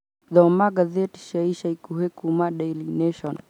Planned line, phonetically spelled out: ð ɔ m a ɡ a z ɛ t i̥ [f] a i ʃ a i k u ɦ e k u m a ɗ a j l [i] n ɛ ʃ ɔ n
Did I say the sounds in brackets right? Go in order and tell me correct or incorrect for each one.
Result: incorrect: ʃ, correct

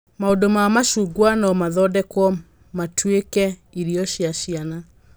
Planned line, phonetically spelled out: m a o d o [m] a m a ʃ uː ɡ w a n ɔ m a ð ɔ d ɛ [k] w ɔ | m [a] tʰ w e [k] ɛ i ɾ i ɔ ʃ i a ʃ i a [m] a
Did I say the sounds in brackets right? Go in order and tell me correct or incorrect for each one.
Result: correct, correct, correct, correct, incorrect: n

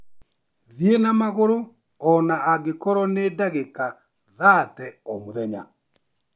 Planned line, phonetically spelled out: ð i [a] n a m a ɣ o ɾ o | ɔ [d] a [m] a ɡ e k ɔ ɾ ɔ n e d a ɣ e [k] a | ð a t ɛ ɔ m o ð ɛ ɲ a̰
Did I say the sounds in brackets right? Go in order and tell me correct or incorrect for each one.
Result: incorrect: e, incorrect: n, incorrect: none, correct

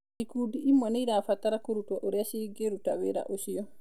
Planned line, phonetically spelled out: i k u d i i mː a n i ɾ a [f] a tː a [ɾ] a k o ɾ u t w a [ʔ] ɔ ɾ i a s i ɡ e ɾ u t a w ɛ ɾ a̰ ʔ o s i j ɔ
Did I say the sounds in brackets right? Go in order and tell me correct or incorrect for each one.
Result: correct, correct, correct

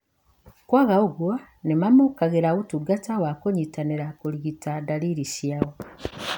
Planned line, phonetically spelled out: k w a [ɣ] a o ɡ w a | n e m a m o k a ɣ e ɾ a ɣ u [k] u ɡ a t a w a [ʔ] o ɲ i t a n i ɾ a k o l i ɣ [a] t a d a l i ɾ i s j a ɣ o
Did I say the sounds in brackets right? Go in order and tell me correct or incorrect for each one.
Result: correct, incorrect: t, incorrect: k, incorrect: i

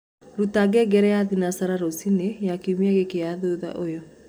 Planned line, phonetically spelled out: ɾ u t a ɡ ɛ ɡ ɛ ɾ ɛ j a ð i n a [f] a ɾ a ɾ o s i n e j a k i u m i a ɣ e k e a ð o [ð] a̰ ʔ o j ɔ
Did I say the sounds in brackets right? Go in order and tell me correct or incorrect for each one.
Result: incorrect: s, correct

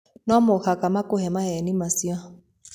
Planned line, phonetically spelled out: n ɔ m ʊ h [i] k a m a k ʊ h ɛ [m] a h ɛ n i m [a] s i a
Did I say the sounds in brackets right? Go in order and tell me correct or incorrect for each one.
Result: incorrect: a, correct, correct

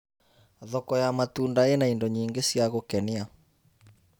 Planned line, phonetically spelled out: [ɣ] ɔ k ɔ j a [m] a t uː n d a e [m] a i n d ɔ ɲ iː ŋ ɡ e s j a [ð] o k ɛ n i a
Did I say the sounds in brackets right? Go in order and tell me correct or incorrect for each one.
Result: incorrect: ð, correct, incorrect: n, incorrect: ɣ

